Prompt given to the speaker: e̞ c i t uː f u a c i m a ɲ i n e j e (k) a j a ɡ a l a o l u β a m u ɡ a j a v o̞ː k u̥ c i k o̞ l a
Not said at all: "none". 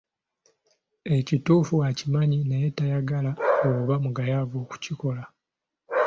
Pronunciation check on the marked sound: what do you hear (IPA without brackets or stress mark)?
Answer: t